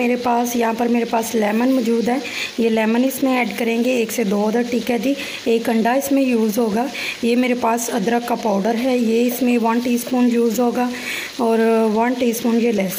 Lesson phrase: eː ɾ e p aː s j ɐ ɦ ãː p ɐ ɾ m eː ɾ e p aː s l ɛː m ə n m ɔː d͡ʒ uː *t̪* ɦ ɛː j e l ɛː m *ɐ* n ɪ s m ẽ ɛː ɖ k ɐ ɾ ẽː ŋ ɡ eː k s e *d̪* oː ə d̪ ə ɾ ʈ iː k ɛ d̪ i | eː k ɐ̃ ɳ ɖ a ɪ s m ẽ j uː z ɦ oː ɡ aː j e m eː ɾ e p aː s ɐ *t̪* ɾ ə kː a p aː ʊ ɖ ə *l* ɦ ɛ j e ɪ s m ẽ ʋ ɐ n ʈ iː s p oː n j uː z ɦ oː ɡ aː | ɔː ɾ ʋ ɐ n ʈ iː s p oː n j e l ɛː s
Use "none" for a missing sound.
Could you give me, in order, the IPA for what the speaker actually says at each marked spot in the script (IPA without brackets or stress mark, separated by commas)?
d̪, ə, d̪, d̪, ɾ